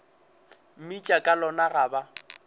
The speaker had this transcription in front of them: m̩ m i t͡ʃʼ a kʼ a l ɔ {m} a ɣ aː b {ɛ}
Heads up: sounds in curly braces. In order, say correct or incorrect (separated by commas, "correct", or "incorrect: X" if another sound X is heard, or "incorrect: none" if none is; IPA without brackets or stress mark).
incorrect: n, incorrect: a